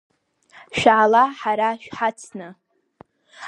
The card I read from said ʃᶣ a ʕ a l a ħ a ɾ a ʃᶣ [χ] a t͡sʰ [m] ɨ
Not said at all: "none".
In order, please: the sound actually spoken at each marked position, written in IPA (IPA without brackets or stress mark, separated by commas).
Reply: ħ, n